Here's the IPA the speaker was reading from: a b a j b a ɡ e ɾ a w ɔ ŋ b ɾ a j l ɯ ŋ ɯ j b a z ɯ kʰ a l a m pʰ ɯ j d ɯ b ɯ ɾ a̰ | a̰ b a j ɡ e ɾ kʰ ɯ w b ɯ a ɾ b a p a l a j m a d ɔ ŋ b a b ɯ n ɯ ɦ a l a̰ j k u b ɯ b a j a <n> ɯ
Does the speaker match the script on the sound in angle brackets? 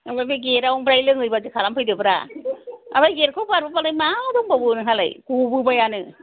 yes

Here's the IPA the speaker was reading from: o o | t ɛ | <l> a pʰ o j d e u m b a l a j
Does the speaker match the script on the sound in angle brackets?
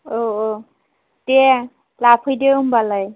yes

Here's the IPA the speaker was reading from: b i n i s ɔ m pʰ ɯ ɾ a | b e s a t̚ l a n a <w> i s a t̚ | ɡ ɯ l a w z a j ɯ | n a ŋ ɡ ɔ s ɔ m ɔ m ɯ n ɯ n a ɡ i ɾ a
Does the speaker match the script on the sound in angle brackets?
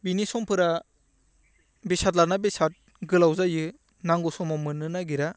no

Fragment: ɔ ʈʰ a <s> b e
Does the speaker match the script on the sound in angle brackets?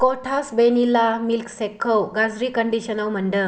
yes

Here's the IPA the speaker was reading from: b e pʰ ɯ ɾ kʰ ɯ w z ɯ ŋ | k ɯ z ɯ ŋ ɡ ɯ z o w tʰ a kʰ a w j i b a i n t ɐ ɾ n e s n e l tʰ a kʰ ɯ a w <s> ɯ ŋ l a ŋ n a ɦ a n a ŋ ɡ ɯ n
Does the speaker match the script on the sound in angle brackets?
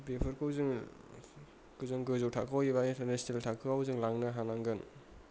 no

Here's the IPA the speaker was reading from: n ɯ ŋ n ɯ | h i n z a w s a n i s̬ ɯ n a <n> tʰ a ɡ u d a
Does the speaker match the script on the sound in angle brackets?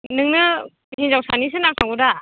no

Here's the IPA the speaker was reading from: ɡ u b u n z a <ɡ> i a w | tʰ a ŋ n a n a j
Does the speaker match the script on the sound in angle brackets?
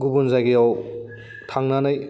yes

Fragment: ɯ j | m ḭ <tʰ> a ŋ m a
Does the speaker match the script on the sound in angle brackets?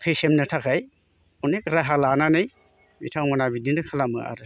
yes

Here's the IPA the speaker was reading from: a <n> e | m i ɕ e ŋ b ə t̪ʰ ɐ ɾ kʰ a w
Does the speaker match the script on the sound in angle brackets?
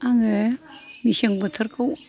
no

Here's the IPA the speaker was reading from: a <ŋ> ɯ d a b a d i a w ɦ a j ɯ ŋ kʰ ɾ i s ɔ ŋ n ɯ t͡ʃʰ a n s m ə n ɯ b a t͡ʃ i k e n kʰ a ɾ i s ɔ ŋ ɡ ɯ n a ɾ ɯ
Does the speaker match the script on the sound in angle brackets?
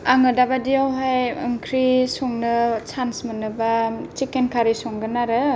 yes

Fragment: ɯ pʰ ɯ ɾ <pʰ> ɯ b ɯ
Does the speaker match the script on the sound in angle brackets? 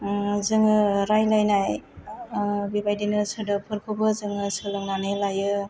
no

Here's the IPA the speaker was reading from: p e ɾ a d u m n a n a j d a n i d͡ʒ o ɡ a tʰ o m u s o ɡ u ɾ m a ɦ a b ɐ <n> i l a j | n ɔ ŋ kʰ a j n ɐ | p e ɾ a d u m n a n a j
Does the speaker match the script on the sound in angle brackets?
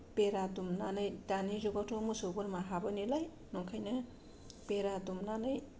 yes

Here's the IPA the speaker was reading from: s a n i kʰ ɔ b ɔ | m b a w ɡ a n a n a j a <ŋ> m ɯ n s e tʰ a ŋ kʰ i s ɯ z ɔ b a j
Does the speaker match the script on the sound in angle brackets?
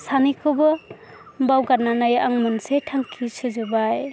yes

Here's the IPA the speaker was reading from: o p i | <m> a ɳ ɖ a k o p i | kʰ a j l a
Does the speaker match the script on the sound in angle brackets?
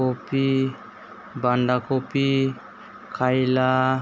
no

